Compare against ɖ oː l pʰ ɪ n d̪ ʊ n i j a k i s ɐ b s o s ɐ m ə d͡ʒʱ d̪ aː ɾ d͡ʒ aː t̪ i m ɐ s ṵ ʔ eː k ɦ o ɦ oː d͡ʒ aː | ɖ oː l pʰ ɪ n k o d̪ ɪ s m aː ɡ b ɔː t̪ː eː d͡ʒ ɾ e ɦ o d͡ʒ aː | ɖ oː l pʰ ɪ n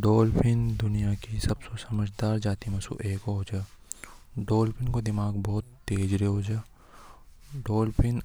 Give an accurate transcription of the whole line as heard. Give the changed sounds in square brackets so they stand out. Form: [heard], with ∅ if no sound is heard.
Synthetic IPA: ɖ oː l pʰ ɪ n d̪ ʊ n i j a k i s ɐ b s o s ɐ m ə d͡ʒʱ d̪ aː ɾ d͡ʒ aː t̪ i m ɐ s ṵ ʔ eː k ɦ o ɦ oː d͡ʒ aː | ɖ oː l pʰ ɪ n k o d̪ ɪ [∅] m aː ɡ b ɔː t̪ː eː d͡ʒ ɾ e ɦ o d͡ʒ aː | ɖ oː l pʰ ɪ n